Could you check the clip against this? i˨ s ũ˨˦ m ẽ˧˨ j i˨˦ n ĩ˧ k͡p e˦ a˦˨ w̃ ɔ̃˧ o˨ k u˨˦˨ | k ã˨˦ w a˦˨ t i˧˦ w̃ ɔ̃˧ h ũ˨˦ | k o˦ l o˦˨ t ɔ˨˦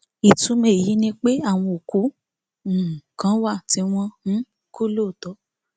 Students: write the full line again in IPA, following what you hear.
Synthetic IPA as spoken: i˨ t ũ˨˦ m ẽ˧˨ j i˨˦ n ĩ˧ k͡p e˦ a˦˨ w̃ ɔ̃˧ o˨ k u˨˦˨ | k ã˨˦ w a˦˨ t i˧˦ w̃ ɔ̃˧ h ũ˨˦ | k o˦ l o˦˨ t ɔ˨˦